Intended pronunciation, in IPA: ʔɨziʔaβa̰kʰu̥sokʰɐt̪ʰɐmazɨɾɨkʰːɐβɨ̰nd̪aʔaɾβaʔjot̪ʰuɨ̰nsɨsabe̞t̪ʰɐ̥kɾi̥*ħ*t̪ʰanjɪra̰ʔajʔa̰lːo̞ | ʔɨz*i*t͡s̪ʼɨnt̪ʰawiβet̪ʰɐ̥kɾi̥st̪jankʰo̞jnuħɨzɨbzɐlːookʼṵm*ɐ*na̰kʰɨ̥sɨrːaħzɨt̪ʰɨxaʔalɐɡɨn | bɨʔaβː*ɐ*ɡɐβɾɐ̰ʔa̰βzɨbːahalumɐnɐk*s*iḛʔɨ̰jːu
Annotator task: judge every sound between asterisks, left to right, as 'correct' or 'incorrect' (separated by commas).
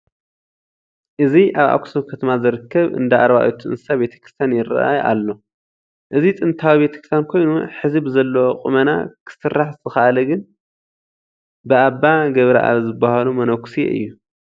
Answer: incorrect, correct, correct, incorrect, correct